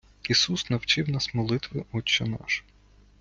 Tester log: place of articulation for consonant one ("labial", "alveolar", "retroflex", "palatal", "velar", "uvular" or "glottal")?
alveolar